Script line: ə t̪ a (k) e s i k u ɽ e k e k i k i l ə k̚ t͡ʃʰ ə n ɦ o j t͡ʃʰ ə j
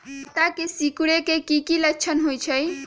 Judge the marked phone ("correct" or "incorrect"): correct